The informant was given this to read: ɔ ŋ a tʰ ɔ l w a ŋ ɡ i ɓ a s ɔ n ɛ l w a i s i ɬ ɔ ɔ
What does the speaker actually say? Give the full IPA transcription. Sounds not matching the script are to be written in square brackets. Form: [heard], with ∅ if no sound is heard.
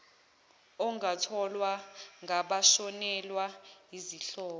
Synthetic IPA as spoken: ɔ ŋ a tʰ ɔ l w a ŋ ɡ [a] ɓ a [ʃ] ɔ n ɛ l w a i [z] i ɬ [ɔː] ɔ